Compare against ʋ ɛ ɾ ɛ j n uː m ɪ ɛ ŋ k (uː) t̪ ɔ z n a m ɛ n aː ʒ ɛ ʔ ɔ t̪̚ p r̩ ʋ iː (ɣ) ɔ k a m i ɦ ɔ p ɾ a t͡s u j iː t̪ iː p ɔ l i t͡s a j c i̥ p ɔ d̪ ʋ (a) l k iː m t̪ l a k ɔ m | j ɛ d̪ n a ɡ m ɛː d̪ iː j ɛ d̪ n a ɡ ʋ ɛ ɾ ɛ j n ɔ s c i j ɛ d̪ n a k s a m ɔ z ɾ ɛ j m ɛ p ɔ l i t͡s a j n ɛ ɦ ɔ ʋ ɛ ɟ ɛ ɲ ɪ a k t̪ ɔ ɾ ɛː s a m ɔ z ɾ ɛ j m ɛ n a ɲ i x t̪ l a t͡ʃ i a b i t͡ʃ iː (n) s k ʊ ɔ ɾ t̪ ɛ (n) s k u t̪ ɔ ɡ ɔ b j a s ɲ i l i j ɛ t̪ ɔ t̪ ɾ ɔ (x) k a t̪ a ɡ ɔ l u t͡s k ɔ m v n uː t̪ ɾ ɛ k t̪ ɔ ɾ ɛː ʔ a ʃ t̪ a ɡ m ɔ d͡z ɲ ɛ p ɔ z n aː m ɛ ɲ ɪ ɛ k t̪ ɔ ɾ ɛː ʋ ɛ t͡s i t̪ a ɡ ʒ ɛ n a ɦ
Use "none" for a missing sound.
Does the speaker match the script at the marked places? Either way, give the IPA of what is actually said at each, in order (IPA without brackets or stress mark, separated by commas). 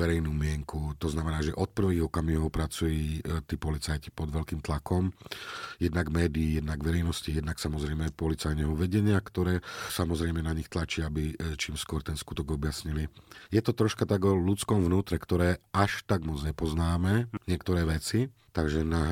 u, ɣ, ɛ, m, n, ʃ